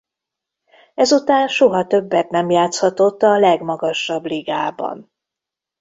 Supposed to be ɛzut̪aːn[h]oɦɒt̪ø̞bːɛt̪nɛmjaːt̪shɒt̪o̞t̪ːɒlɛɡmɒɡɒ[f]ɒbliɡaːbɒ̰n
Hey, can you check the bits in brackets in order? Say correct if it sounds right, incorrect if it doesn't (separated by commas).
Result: incorrect, incorrect